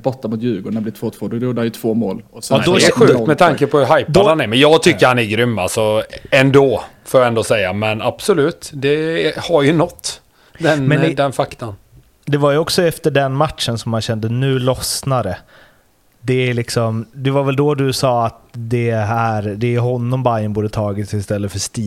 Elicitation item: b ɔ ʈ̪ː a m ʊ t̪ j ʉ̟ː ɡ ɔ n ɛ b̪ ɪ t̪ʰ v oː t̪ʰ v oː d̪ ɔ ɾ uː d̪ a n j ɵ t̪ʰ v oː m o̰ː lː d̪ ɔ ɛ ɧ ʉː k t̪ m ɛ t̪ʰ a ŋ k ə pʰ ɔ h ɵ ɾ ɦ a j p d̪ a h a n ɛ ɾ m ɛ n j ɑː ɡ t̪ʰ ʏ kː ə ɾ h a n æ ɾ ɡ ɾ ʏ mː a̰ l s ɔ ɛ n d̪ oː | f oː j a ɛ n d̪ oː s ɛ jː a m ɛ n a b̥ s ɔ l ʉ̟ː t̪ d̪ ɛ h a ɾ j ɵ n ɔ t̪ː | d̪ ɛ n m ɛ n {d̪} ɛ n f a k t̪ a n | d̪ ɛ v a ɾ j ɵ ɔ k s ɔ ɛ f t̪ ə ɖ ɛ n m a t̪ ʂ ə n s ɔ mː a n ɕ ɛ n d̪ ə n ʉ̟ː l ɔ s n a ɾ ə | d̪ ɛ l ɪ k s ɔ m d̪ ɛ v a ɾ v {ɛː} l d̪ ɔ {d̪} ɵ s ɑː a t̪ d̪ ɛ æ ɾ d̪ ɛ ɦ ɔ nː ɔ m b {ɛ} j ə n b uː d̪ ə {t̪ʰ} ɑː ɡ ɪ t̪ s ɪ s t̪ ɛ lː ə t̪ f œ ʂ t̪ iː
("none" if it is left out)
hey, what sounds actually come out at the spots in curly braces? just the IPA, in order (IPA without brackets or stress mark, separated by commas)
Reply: d̪, ɛ, d̪, a, t̪ʰ